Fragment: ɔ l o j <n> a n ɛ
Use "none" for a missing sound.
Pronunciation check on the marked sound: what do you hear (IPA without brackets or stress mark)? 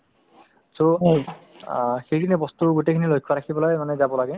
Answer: m